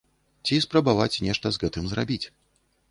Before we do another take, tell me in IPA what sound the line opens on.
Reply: t͡sʲ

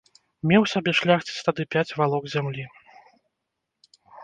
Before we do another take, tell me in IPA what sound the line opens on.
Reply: mʲ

